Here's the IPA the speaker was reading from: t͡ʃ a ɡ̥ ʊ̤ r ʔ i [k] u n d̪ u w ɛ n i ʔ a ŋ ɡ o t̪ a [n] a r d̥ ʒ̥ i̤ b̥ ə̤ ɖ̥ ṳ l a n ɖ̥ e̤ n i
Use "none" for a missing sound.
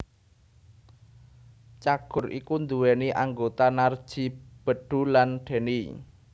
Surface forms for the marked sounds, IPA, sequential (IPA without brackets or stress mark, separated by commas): k, n